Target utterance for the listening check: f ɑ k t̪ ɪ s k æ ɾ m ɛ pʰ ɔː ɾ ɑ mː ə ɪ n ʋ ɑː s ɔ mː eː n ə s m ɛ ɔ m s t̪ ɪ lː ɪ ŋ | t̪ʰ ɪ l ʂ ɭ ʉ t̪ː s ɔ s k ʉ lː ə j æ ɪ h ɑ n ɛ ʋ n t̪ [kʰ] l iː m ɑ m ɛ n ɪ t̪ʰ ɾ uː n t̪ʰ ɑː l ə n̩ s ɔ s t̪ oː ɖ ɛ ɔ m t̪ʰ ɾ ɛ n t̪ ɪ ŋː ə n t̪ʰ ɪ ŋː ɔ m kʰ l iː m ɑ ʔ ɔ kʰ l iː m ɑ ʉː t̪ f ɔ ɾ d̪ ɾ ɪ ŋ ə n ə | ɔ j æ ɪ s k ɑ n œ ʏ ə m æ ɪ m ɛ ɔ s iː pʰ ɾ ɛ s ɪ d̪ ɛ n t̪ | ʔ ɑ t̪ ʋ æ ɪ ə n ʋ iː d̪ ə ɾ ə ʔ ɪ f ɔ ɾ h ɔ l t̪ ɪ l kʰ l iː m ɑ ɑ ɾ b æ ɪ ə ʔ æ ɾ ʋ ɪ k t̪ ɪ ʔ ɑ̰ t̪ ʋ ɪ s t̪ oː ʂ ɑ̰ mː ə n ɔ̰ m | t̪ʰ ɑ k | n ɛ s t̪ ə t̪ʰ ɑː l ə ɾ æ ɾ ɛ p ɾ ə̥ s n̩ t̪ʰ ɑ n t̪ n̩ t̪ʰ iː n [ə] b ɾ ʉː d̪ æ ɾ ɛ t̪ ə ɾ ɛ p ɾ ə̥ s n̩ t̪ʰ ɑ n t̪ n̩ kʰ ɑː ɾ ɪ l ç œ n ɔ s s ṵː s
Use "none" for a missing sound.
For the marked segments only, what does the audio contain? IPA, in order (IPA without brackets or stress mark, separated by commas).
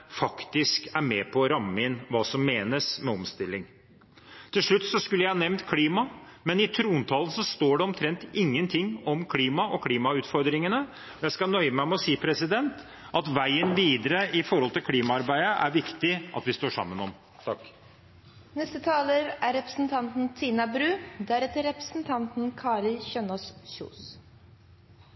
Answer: kʰ, ɑ